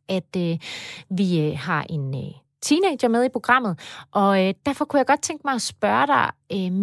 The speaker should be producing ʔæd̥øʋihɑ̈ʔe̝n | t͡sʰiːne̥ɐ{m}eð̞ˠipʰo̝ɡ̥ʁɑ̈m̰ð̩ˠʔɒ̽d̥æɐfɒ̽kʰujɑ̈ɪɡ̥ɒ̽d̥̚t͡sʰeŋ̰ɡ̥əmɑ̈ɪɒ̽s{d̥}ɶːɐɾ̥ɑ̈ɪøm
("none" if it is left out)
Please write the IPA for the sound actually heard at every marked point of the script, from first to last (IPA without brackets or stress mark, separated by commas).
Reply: m, b̥